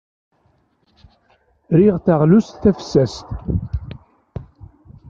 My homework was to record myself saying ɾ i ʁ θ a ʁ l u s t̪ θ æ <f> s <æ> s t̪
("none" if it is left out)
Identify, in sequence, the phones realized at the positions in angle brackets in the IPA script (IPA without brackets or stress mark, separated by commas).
f, æ